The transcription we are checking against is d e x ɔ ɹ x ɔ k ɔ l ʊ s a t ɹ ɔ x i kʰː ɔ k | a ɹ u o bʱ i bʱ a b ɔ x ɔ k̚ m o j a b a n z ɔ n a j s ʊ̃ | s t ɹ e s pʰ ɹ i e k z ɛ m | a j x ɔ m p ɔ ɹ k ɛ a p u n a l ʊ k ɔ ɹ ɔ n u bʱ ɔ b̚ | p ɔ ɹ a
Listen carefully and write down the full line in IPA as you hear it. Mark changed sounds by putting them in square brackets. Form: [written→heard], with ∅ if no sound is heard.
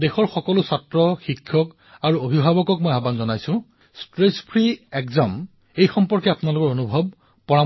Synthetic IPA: d e x ɔ ɹ x ɔ k ɔ l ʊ s a t ɹ ɔ x i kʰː ɔ k | a ɹ u o bʱ i bʱ a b ɔ [x→k] ɔ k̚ m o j a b a n z ɔ n a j s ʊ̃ | s t ɹ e s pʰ ɹ i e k z [ɛ→a] m | [a→e] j x ɔ m p ɔ ɹ k ɛ a p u n a l ʊ k ɔ ɹ [ɔ→o] n u bʱ ɔ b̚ | p ɔ ɹ a